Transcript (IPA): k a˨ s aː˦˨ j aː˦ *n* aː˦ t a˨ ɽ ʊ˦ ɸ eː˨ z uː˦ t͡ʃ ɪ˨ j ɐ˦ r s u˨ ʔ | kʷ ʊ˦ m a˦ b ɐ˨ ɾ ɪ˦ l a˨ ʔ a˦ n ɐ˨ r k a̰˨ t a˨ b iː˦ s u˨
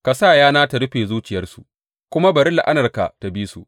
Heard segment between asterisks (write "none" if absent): n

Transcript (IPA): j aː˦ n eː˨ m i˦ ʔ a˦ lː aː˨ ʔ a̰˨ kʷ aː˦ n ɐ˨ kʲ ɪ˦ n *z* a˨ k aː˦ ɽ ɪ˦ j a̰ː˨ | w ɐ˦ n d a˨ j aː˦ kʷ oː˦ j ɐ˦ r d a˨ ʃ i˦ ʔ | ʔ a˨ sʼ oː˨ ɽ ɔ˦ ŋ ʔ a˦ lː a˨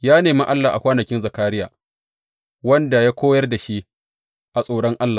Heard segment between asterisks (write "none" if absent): z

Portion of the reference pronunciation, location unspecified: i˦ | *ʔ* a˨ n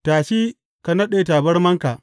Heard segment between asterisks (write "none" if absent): k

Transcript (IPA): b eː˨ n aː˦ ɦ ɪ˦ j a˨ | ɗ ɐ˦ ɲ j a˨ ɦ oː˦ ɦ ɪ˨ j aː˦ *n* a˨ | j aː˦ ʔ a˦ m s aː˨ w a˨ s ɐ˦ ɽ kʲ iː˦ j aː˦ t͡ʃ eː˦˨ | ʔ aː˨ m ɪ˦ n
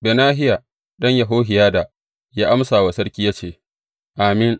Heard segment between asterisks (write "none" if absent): d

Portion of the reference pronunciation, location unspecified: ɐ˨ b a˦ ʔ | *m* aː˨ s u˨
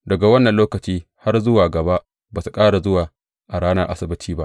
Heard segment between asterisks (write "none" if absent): b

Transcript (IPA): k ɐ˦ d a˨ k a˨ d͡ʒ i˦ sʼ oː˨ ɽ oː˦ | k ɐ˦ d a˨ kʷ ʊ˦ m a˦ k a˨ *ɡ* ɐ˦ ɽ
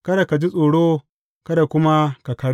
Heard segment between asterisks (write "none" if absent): k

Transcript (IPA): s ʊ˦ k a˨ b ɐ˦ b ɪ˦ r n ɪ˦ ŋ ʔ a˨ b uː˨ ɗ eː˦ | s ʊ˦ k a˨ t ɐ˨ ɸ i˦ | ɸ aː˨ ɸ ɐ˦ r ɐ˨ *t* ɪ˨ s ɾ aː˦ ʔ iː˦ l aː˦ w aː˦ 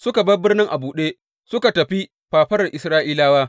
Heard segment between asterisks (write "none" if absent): ʔ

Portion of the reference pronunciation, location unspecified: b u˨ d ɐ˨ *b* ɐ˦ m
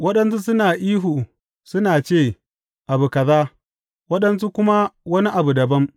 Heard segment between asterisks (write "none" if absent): b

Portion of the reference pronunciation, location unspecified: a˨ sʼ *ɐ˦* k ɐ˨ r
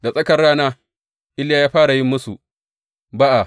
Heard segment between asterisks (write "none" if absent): ɐ˦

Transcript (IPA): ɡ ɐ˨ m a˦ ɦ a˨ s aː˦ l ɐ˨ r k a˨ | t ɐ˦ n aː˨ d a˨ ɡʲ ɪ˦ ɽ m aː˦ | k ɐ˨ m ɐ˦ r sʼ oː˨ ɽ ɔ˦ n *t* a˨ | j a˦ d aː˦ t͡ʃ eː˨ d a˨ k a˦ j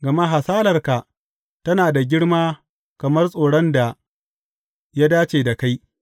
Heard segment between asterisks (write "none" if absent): d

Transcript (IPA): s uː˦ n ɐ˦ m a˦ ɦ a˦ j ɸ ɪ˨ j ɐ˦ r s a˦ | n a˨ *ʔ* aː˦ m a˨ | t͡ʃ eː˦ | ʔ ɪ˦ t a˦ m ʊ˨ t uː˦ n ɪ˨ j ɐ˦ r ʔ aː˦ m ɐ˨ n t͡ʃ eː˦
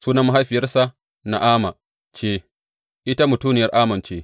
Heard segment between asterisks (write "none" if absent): ʔ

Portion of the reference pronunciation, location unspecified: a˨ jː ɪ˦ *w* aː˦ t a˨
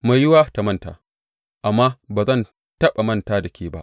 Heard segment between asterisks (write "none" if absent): w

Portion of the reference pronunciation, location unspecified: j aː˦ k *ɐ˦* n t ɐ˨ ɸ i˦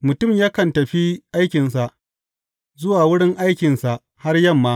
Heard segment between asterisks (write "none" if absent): ɐ˨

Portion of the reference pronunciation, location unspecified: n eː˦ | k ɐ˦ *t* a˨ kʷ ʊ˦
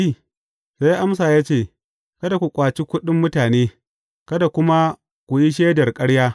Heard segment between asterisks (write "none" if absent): d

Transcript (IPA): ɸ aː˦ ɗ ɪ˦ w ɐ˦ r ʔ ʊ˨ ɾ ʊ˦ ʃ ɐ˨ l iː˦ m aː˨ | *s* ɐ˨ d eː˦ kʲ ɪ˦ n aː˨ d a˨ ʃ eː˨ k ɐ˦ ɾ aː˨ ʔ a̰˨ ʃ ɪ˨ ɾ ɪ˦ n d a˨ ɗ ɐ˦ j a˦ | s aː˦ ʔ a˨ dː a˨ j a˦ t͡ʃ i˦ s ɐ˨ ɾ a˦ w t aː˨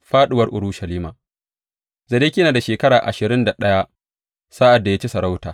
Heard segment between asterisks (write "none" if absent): z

